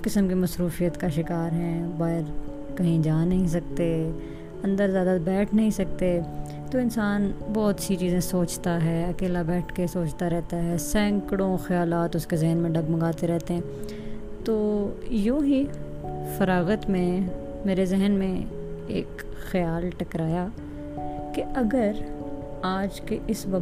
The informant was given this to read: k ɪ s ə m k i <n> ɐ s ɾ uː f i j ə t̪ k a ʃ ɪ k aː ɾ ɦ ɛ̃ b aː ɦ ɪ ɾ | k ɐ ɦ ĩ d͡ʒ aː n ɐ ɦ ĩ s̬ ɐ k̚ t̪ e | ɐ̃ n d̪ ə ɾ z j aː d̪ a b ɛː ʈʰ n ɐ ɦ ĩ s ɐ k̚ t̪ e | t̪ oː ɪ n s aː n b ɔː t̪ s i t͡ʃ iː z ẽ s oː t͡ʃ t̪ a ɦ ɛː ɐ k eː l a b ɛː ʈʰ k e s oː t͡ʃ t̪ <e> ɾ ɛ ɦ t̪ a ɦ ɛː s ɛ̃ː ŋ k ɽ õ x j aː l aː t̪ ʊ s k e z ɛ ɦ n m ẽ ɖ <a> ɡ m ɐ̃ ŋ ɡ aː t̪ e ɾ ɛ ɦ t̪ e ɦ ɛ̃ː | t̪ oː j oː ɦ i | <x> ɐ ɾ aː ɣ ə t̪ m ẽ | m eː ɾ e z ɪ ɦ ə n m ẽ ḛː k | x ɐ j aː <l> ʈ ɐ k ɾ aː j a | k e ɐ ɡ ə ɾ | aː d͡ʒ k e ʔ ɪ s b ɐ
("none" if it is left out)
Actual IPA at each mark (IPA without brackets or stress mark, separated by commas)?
m, a, ɐ, f, l